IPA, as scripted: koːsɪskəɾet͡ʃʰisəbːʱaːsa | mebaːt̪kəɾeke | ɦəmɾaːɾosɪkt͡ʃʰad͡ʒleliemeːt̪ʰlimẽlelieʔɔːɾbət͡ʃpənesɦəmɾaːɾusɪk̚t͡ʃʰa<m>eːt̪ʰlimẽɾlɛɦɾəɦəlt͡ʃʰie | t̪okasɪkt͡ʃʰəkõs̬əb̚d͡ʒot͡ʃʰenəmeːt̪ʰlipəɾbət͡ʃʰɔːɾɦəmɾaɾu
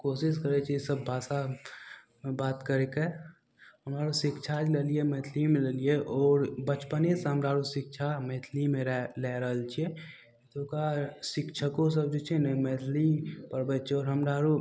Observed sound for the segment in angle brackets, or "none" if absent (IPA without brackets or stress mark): m